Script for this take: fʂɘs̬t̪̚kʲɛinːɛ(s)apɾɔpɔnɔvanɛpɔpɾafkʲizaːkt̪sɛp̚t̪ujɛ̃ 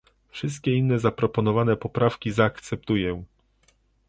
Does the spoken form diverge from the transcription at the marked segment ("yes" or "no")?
yes